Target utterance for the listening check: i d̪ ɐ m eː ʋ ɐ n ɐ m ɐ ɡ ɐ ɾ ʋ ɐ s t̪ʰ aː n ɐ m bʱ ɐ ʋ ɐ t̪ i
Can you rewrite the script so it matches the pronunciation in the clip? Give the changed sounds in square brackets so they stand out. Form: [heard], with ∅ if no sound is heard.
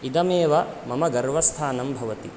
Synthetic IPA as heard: i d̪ ɐ m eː ʋ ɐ [m] ɐ m ɐ ɡ ɐ ɾ ʋ ɐ s t̪ʰ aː n ɐ m bʱ ɐ ʋ ɐ t̪ i